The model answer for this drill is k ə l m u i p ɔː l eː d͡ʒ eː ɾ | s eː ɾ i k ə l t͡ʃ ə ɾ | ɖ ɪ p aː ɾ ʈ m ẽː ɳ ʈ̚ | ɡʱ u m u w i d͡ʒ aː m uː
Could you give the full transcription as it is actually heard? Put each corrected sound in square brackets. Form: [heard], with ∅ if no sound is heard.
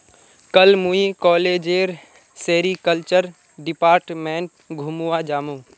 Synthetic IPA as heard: k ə l m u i [k] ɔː l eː d͡ʒ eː ɾ | s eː ɾ i k ə l t͡ʃ ə ɾ | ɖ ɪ p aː ɾ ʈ m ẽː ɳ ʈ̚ | ɡʱ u m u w [a] d͡ʒ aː m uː